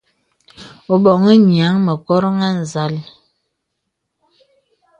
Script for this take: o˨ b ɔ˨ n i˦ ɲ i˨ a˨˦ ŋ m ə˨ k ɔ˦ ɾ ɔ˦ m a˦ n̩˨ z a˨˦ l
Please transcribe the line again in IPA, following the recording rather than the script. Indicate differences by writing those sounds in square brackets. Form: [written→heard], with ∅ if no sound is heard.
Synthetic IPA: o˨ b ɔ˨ [n→ŋ] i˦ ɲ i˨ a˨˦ ŋ m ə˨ k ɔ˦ ɾ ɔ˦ [m→ŋ] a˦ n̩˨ z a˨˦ l